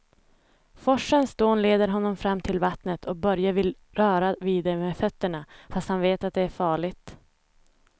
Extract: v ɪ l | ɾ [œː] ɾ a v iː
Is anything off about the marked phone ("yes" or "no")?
no